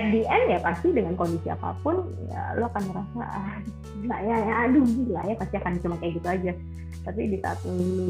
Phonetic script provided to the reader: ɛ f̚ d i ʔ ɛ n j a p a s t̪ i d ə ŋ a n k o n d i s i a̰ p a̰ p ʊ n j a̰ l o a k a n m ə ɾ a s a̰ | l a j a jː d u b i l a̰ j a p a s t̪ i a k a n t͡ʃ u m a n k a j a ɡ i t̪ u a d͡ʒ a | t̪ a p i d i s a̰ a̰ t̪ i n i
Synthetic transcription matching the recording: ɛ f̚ d i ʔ ɛ n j a p a s t̪ i d ə ŋ a n k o n d i s i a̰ p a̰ p ʊ n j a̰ l o a k a n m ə ɾ a s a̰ | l a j a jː d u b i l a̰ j a p a s t̪ i a k a n t͡ʃ u m a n k a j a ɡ i t̪ u a d͡ʒ a | t̪ a p i d i s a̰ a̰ t̪ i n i